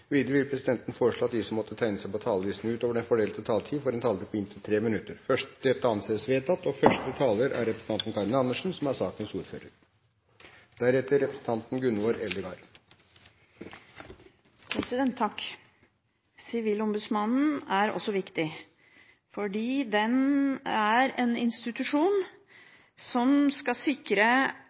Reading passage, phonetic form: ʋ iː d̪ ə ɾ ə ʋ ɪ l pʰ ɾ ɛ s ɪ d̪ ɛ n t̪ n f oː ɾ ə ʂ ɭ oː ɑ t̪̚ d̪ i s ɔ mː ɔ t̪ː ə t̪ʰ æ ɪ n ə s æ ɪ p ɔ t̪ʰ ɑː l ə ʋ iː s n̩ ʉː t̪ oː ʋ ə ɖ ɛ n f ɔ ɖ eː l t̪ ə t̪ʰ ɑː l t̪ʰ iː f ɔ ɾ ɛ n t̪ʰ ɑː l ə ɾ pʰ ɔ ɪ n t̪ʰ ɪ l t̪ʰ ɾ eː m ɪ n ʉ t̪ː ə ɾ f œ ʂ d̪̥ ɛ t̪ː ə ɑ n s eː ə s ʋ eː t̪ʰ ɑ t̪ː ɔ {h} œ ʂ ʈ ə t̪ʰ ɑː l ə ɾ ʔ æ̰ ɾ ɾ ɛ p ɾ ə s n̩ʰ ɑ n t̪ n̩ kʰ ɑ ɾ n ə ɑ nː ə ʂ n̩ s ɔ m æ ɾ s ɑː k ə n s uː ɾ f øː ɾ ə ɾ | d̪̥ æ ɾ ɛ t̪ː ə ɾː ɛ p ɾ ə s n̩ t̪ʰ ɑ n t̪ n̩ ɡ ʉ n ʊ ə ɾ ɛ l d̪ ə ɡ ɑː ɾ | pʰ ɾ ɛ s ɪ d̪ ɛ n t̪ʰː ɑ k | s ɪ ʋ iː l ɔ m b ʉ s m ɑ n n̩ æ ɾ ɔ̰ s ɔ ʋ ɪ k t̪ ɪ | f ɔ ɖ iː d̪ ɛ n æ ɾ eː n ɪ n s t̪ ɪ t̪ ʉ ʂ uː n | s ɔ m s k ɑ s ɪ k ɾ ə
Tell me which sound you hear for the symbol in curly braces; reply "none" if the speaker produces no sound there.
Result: f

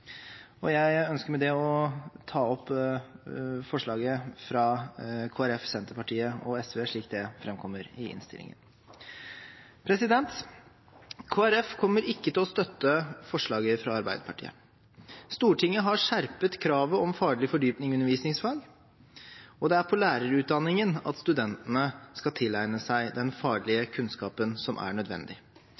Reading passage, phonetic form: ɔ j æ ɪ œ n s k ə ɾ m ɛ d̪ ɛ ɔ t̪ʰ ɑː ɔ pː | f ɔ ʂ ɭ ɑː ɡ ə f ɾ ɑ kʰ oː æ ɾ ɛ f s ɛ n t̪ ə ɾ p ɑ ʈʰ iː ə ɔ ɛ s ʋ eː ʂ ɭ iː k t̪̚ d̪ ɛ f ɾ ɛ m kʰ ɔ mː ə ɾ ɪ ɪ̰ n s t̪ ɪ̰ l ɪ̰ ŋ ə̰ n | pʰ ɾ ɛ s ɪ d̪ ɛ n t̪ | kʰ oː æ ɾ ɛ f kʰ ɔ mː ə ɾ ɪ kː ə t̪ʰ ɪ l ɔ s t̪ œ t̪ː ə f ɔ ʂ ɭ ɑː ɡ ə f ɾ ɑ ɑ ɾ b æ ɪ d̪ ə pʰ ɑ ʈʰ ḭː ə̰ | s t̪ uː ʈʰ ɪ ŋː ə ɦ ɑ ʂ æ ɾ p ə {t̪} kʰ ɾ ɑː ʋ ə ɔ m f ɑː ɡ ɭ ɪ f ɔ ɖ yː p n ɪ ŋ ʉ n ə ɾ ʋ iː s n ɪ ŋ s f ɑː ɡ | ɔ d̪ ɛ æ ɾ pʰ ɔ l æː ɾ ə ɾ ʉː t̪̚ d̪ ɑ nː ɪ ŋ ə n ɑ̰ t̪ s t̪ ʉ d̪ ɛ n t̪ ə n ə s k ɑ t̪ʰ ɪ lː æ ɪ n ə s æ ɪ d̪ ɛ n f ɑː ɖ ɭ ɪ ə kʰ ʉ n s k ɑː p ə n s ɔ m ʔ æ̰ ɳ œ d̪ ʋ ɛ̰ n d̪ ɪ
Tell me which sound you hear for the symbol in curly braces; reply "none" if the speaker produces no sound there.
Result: t̪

